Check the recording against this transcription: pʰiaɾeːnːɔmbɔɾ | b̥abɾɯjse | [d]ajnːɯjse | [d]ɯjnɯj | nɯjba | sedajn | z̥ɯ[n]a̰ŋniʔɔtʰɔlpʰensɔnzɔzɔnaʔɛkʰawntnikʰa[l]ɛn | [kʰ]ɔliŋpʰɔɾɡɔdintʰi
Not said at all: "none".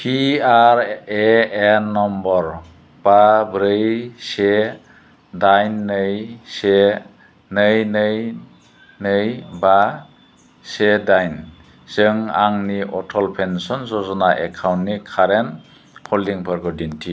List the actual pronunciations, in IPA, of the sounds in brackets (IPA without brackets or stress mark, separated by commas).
d, n, ŋ, ɾ, pʰ